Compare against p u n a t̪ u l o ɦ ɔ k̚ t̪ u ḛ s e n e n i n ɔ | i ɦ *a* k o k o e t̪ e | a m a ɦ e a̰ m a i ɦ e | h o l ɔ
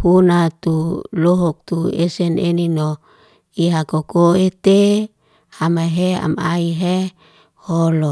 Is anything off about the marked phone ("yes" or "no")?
no